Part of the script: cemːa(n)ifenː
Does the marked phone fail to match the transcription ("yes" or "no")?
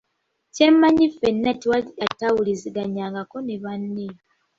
yes